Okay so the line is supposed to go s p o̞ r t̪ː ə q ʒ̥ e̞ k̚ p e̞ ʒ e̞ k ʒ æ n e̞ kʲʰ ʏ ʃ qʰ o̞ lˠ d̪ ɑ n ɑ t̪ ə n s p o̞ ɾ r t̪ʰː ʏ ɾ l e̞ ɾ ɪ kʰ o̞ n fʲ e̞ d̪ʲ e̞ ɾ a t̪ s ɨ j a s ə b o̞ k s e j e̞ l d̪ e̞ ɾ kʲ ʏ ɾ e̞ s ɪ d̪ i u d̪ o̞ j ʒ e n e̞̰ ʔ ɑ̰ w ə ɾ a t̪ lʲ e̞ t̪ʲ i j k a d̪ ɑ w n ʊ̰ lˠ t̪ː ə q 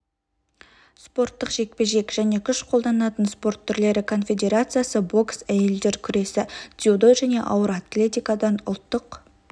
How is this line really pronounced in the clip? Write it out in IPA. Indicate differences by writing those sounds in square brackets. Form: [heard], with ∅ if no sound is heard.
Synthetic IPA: s p o̞ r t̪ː ə q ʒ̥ e̞ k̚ p e̞ ʒ e̞ k ʒ æ n e̞ kʲʰ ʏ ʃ qʰ o̞ lˠ d̪ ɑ n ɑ t̪ ə n s p o̞ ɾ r t̪ʰː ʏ ɾ l e̞ ɾ ɪ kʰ o̞ n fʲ e̞ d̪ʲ e̞ ɾ a t̪ s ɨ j a s ə b o̞ k s [æ] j e̞ l d̪ e̞ ɾ [kʲʰ] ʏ ɾ e̞ s ɪ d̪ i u d̪ o̞ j ʒ [æ] n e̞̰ ʔ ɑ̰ w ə ɾ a t̪ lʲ e̞ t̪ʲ i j k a d̪ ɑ [∅] n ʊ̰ lˠ t̪ː ə q